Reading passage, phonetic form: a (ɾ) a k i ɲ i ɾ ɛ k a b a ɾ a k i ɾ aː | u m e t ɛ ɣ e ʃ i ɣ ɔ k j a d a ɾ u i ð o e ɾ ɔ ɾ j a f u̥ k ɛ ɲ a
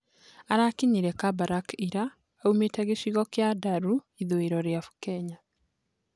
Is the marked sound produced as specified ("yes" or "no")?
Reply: yes